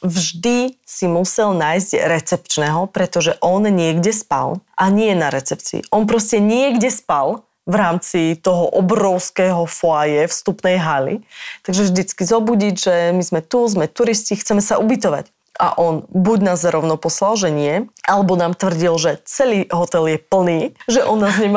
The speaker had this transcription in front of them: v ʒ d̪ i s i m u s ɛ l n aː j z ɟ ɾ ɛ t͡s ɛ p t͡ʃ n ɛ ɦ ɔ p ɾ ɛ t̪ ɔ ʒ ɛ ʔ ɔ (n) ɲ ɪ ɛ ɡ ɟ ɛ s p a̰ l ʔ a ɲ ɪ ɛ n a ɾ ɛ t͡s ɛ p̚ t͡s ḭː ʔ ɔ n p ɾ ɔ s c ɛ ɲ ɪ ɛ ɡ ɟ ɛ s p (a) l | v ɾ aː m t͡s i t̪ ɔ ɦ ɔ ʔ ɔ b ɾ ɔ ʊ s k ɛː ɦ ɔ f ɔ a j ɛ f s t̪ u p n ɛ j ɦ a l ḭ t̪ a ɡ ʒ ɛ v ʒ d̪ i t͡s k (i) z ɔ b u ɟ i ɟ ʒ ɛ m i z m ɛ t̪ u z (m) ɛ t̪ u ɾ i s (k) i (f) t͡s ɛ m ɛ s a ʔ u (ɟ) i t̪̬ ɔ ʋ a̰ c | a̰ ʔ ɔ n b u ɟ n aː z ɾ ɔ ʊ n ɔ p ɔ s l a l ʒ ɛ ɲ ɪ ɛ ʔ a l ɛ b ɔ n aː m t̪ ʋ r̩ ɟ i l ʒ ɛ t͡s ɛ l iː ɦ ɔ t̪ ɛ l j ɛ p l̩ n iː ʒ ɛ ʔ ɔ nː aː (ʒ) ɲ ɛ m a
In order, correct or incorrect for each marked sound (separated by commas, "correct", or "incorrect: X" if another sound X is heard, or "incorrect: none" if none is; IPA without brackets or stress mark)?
correct, correct, correct, correct, incorrect: c, incorrect: x, incorrect: b, incorrect: z